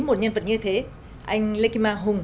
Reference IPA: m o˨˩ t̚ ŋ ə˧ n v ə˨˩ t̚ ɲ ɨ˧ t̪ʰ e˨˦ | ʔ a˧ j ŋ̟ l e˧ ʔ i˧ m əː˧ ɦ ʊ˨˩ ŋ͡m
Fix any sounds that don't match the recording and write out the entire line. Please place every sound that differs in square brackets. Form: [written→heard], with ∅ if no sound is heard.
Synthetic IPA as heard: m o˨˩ t̚ [ŋ→ɲ] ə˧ n v ə˨˩ t̚ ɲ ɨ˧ t̪ʰ e˨˦ | ʔ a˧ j ŋ̟ l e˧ [ʔ→k] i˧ m [əː˧→aː˧] ɦ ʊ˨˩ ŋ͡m